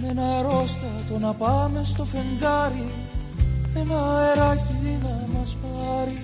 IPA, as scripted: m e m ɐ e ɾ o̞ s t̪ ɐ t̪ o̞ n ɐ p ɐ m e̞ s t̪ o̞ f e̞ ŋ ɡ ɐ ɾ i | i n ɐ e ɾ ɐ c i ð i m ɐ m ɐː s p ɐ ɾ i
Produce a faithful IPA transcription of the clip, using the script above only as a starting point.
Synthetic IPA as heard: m e n ɐ e ɾ o̞ s t̪ ɐ t̪ o̞ n ɐ p ɐ m e̞ s t̪ o̞ f e̞ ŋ ɡ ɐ ɾ i | e n ɐ e ɾ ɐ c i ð i n ɐ m ɐ s p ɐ ɾ i